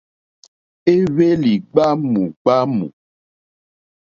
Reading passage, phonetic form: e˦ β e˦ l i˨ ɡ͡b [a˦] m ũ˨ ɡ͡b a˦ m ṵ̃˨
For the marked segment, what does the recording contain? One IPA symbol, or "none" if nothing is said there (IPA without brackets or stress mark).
a˦